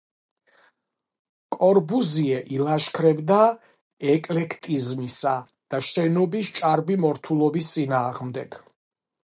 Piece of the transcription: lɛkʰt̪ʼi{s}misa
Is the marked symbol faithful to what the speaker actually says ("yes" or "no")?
no